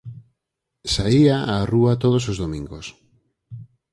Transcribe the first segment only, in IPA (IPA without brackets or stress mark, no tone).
s